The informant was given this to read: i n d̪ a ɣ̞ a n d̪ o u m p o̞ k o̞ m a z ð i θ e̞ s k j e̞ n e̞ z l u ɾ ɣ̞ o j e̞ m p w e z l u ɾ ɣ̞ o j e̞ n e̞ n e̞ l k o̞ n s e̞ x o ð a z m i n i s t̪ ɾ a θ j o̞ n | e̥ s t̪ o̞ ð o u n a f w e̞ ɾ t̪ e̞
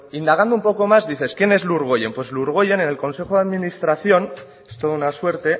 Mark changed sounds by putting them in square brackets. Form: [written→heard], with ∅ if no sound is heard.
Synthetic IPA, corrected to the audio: i n d̪ a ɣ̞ a n d̪ o u m p o̞ k o̞ m a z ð i θ e̞ s k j e̞ n e̞ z l u ɾ ɣ̞ o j e̞ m p w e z l u ɾ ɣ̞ o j e̞ n e̞ n e̞ l k o̞ n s e̞ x o ð a [z→ð] m i n i s t̪ ɾ a θ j o̞ n | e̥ s t̪ o̞ ð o u n a [f→s] w e̞ ɾ t̪ e̞